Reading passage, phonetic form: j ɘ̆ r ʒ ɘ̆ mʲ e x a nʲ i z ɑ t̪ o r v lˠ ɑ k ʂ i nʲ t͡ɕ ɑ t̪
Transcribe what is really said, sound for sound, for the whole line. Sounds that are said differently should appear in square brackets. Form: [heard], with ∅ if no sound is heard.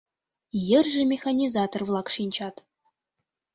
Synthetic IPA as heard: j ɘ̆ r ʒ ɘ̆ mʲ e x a nʲ i z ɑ t̪ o r v lˠ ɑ k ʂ i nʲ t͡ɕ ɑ t̪

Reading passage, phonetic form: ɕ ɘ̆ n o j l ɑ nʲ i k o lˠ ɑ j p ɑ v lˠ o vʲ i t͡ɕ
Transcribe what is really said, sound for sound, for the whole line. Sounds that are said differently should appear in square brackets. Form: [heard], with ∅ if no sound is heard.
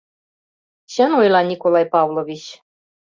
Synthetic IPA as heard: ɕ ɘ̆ n o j l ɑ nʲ i k o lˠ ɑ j p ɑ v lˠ o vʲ i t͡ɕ

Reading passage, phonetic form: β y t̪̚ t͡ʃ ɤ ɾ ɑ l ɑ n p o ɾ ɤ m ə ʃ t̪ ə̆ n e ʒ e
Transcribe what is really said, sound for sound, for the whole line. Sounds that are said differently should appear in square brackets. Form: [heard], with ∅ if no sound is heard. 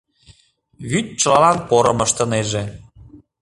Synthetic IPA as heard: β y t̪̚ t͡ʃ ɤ [l] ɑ l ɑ n p o ɾ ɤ m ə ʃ t̪ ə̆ n e ʒ e

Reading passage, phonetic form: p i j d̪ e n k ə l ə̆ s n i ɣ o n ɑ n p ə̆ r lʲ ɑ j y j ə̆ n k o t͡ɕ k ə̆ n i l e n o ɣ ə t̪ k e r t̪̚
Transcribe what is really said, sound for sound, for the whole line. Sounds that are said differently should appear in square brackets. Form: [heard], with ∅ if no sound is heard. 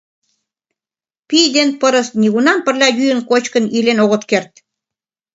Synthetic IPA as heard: p i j d̪ e n [p] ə [ɾ] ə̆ s n i ɣ [u] n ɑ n p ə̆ r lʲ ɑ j y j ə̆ n k o t͡ɕ k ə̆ n i l e n o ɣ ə t̪ k e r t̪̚

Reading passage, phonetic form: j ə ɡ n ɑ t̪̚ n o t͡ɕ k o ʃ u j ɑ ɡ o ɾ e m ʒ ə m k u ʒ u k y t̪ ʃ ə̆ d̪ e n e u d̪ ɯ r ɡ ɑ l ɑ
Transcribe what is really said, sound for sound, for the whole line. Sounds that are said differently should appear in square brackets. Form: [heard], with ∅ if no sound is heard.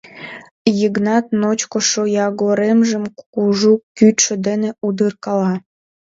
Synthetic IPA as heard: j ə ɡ n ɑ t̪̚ n o t͡ɕ k o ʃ [o] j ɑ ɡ o ɾ e m ʒ ə m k u ʒ u k y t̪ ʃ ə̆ d̪ e n e u d̪ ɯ r [k] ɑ l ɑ

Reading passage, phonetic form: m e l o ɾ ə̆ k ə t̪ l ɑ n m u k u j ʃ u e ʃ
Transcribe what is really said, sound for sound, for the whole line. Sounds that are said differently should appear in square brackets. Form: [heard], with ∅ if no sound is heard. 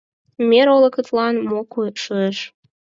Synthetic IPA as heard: m e [ɾ] o [l] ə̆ k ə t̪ l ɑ n m [o] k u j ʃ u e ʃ

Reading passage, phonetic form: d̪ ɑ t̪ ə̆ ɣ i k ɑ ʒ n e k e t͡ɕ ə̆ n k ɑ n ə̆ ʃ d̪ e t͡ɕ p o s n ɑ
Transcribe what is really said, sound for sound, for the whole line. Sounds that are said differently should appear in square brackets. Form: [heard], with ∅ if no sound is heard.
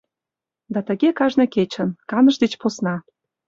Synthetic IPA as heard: d̪ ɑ t̪ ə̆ ɣ [e] k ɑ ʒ n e k e t͡ɕ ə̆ n k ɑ n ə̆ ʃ d̪ e t͡ɕ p o s n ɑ

